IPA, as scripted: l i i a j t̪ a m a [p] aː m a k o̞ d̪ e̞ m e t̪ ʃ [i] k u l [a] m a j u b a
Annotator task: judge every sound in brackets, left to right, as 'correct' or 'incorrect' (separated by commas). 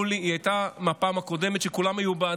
correct, incorrect, correct